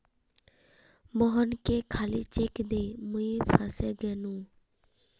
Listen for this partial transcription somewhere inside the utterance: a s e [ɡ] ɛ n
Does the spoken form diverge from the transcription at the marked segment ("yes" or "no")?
no